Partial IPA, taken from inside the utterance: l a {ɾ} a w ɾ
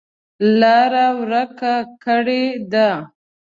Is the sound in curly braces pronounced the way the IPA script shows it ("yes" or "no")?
yes